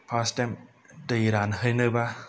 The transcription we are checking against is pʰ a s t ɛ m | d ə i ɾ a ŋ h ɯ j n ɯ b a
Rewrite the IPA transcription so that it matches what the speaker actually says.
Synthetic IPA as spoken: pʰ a s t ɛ m | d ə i ɾ a n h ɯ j n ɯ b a